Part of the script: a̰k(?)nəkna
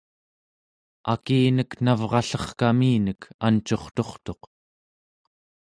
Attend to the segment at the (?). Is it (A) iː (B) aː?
A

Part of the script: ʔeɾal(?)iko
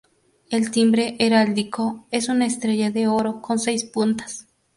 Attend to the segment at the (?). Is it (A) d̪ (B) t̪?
A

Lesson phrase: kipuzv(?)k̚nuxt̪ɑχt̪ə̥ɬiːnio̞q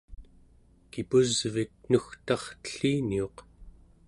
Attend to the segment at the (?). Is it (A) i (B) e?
A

